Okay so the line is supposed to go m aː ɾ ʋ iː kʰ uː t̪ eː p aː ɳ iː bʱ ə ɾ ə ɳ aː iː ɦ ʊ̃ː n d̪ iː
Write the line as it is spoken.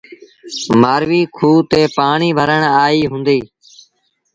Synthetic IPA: m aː ɾ ʋ iː kʰ uː t̪ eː p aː ɳ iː bʱ ə ɾ ə ɳ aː iː ɦ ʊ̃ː n d̪ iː